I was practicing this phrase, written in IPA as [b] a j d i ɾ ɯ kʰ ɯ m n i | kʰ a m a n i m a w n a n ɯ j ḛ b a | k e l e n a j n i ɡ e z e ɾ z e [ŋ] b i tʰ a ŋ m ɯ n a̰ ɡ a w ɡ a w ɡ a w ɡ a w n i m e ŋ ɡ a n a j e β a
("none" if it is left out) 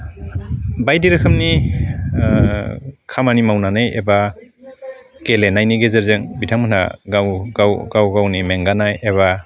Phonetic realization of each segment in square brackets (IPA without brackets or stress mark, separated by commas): b, ŋ